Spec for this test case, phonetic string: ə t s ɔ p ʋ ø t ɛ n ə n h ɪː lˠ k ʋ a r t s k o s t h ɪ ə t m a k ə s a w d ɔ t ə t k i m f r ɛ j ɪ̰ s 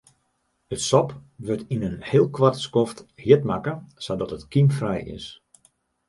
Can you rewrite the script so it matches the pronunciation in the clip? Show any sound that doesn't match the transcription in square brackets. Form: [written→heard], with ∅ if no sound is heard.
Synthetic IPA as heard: ə t s ɔ p ʋ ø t [ɛ→i] n ə n h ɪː lˠ k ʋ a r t s k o [s→f] t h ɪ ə t m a k ə s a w d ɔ t ə t k i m f r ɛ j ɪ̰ s